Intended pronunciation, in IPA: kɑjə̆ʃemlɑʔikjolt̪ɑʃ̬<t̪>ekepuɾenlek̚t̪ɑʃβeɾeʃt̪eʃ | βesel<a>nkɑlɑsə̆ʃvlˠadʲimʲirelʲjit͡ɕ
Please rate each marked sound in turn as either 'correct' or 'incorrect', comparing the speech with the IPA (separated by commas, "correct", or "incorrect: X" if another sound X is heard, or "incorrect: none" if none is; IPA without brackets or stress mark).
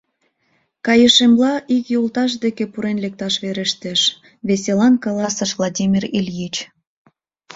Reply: incorrect: d̪, incorrect: ɑ